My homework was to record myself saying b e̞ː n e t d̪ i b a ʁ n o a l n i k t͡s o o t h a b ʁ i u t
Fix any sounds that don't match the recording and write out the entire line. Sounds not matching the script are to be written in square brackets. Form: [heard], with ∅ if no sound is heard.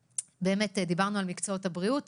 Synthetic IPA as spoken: b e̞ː [m] e t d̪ i b a ʁ n [u] a l [m] i k t͡s o o t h a b ʁ i u t

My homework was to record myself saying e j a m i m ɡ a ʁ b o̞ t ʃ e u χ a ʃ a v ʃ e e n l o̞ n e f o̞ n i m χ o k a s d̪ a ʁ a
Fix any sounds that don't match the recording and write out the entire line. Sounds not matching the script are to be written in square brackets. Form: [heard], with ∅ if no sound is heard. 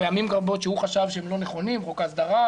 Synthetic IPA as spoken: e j a m i m ɡ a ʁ b o̞ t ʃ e u χ a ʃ a v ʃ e e [m] l o̞ n e [χ] o̞ n i m [ʁ] o k a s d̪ a ʁ a

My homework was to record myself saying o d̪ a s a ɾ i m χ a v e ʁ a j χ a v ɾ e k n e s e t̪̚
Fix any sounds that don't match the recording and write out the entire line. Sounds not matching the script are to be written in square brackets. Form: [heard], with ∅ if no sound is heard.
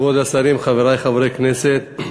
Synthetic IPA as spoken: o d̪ a s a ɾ i m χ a v e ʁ a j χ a v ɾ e k n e s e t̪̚

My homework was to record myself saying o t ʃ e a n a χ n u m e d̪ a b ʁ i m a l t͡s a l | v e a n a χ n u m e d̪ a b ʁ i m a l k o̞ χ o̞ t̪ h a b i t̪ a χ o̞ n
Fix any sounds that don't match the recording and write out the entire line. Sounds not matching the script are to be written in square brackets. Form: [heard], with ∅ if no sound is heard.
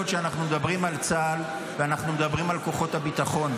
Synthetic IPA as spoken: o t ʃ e a n a χ n u m e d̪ a b ʁ i m a l t͡s a l | v e a n a χ n u m e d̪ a b ʁ i m a l k o̞ χ o̞ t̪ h a b i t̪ a χ o̞ n

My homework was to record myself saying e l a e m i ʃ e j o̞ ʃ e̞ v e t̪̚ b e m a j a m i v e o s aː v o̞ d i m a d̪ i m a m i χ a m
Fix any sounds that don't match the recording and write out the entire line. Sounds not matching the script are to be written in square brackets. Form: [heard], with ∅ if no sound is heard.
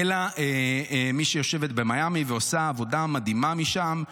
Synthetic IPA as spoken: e l a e m i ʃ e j o̞ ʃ e̞ v e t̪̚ b e m a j a m i v e o s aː v o̞ d [a] m a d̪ i m a m i [ʃ] a m

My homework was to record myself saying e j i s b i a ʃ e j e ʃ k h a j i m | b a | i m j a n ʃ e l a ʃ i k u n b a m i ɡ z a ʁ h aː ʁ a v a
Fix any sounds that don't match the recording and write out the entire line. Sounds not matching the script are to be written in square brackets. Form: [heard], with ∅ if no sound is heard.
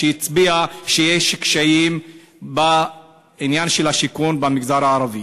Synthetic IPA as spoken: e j i [t͡s] b i a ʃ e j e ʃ k [ʃ] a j i m | b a | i [n] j a n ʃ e l a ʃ i k u n b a m i ɡ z a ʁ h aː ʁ a v [i]

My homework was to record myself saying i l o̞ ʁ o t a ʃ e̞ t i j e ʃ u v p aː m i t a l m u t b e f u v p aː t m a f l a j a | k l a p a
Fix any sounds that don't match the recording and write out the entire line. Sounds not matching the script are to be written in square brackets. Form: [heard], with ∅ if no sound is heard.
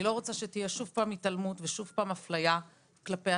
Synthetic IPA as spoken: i l o̞ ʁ o [t͡s] a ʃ e̞ t i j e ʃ u v p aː m i t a l m u t [v] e [ʃ] u v p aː [∅] m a f l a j a | k l a p [e]

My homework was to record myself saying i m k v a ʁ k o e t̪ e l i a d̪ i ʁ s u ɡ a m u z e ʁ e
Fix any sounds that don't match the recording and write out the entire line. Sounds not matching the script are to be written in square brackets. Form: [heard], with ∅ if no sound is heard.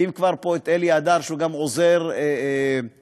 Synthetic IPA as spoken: i m k v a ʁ [p] o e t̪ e l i a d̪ [a] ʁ [ʃ] u ɡ a m [o] z e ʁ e

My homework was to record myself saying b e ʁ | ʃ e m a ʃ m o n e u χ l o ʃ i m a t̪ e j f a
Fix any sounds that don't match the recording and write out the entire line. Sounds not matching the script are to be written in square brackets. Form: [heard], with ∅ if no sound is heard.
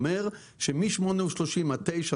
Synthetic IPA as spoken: [m] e ʁ | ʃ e m [i] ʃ m o n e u [ʃ] l o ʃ i m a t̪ e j [ʃ] a

